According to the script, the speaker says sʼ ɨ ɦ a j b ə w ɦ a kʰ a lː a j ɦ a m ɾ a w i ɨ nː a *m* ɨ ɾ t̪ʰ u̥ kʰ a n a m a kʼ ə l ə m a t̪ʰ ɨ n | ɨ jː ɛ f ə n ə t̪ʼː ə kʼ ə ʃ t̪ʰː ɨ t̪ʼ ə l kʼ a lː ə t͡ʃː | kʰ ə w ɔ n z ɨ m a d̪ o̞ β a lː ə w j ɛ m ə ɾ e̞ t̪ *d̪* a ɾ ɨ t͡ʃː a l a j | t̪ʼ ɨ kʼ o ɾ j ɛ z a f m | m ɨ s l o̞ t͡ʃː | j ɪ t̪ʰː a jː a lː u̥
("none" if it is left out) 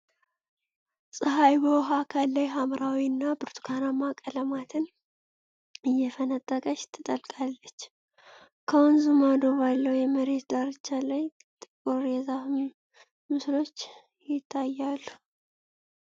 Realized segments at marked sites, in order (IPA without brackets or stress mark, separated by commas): b, d̪